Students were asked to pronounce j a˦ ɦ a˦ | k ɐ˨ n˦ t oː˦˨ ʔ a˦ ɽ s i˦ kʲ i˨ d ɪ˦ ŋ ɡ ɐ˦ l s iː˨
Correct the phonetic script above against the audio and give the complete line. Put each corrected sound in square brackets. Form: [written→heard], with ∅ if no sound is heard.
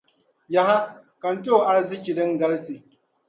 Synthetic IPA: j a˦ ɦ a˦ | k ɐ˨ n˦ t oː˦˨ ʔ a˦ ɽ [s→z] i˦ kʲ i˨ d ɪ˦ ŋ ɡ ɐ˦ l s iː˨